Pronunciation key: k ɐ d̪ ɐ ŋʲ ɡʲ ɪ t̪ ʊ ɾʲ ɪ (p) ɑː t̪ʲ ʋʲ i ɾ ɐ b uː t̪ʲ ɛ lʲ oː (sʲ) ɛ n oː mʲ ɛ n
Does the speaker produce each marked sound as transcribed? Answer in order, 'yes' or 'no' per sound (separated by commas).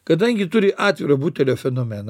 no, no